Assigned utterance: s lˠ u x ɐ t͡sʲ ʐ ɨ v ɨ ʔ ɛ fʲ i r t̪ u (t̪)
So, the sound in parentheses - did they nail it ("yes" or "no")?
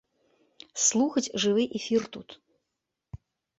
yes